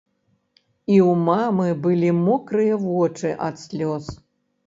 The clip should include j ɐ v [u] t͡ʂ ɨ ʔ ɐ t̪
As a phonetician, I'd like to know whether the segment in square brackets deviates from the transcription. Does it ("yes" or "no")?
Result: yes